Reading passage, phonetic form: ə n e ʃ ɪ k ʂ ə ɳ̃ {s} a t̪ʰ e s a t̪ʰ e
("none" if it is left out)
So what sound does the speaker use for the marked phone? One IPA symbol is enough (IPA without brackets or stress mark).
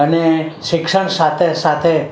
s